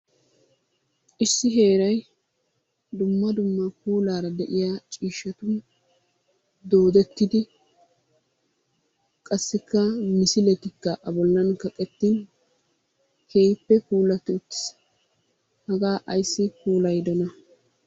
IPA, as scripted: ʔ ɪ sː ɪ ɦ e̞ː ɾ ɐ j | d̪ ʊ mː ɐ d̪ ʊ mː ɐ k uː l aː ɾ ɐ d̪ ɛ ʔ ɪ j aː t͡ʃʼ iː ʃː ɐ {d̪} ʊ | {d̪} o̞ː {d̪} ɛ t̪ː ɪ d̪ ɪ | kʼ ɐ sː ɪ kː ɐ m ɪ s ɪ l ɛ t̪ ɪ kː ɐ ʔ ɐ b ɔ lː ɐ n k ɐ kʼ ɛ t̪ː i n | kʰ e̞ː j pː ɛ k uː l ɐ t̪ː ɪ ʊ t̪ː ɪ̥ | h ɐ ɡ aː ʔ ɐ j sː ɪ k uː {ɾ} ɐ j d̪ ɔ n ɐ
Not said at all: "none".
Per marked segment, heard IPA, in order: t̪, d̪, d̪, l

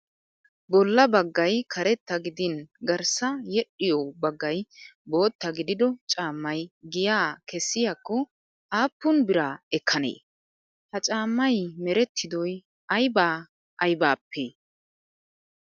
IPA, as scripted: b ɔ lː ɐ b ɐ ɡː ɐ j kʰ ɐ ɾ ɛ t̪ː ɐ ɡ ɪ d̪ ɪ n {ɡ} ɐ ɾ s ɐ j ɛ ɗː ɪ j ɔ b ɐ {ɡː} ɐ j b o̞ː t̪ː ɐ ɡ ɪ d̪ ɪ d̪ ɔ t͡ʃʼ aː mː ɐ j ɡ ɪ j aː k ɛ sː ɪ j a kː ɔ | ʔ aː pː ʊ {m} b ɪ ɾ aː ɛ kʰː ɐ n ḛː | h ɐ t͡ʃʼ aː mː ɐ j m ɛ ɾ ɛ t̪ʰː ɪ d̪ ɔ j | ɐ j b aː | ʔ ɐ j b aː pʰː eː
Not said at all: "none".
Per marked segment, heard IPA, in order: ɡ, ɡː, n

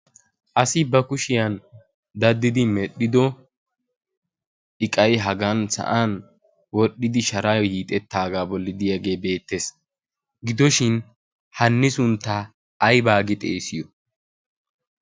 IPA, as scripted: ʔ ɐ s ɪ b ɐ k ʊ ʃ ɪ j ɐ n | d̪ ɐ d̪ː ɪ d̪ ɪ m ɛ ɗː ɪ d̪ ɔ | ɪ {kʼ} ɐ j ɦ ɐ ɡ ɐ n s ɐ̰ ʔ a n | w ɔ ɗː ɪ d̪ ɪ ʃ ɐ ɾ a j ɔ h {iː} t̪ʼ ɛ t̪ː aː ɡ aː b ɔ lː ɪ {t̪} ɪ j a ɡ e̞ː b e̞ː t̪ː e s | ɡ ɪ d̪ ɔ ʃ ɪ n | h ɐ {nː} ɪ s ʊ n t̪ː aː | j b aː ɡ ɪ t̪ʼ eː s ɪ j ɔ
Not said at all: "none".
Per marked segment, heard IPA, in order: kʼ, iː, d̪, nː

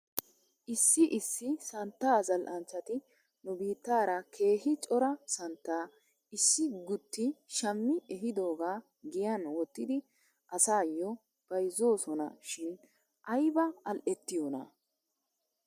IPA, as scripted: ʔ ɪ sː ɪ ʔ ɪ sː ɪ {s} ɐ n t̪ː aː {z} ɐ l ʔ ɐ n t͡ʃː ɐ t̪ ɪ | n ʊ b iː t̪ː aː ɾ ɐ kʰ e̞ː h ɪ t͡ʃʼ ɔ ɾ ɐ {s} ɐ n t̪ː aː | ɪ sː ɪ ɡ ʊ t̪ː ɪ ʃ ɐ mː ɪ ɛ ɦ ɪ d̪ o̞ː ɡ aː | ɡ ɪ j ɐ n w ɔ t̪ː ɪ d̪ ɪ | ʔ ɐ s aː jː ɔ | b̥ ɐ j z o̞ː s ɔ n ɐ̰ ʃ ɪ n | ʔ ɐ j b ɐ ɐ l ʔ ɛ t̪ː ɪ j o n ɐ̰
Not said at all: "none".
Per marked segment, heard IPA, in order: s, z, s

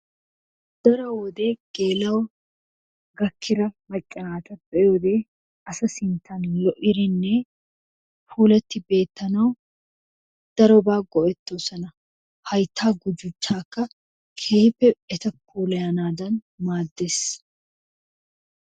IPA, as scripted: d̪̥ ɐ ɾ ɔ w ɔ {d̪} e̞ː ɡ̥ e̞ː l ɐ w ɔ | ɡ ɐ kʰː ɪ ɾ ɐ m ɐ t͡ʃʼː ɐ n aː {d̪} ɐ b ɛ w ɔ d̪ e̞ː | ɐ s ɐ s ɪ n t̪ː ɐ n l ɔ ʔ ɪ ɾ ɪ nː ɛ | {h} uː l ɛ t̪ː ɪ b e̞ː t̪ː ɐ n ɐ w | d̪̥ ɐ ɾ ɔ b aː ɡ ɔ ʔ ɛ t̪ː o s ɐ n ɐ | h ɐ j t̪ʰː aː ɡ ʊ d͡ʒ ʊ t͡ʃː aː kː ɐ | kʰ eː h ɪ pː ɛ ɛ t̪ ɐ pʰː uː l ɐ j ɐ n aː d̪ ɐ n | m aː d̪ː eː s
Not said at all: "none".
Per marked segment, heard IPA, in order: d̪, t̪, f

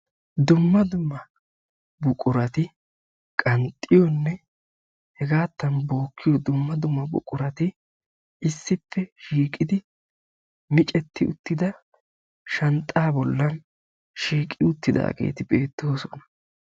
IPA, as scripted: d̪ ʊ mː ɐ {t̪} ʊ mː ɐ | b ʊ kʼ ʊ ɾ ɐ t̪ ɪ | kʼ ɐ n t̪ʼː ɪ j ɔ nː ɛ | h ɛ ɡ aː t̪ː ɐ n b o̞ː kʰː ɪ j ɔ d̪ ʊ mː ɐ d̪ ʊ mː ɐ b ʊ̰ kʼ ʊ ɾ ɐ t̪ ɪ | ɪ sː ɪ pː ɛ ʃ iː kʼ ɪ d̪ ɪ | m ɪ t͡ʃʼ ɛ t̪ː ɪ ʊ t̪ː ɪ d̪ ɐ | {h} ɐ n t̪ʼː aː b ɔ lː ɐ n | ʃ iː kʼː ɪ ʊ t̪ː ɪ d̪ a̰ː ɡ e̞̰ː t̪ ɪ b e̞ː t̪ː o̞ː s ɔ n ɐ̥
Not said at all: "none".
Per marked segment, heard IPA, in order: d̪, ʃ

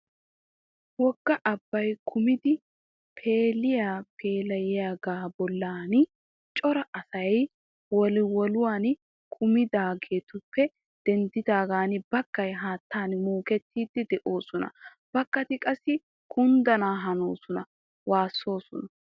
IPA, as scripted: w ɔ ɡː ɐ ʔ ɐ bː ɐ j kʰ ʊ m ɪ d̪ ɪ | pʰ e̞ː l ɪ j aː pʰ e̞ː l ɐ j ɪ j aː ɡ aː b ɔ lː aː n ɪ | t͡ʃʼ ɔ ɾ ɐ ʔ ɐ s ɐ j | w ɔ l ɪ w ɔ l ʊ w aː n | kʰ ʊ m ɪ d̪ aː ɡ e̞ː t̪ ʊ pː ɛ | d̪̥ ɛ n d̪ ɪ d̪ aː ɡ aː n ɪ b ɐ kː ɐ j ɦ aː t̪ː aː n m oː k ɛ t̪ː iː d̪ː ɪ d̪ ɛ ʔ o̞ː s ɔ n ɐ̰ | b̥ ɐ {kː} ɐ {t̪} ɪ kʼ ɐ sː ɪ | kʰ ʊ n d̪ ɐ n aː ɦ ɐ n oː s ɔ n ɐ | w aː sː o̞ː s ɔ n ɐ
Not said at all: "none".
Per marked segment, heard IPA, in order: kː, t̪

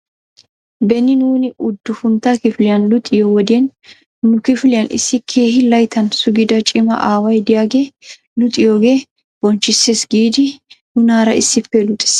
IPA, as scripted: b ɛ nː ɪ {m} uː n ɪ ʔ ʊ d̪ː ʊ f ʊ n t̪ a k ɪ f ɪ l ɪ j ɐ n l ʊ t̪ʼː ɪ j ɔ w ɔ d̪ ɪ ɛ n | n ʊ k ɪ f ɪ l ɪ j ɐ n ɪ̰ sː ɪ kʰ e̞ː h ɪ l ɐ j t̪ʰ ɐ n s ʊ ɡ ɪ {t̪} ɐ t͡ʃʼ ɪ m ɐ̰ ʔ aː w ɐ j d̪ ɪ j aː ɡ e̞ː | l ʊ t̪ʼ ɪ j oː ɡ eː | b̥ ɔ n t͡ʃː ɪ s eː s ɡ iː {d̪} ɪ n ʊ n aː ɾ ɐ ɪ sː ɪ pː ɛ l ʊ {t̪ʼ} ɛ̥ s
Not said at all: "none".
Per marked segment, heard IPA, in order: n, d̪, d̪, t̪ʼ

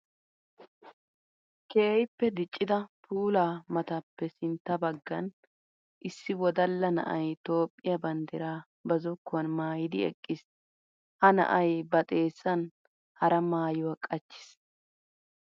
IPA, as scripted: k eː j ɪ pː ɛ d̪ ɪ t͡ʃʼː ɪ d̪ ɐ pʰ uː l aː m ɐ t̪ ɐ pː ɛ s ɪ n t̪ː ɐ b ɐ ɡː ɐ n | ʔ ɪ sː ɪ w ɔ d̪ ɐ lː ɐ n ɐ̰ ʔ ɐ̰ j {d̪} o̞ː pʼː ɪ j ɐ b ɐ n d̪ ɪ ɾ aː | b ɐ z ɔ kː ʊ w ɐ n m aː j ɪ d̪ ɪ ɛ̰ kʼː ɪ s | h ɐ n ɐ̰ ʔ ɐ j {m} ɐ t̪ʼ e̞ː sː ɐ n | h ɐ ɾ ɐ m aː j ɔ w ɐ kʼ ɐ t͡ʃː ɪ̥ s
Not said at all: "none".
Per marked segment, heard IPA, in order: t̪, b

